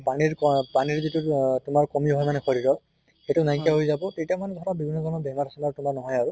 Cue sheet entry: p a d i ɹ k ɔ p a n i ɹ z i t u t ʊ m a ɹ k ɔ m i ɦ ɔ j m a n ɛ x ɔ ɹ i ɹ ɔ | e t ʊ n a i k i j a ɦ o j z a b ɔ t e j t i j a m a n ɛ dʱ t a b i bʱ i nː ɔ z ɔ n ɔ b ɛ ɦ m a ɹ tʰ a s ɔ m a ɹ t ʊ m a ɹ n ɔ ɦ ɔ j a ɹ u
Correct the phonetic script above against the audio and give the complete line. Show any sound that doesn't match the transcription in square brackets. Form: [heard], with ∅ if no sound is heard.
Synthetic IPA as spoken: p a [n] i ɹ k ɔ p a n i ɹ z i t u t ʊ m a ɹ k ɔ m i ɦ ɔ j m a n ɛ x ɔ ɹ i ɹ ɔ | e t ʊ n a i k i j a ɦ o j z a b ɔ t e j t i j a m a n ɛ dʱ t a b i bʱ i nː ɔ z ɔ n ɔ b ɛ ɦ m a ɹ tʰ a s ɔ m a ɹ t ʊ m a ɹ n ɔ ɦ ɔ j a ɹ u